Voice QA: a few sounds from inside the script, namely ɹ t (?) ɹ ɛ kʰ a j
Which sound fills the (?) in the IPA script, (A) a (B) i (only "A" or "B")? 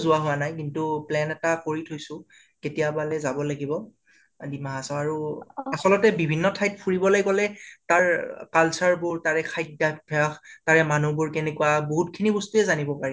A